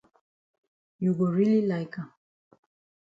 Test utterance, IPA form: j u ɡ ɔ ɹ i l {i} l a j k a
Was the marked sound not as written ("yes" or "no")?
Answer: no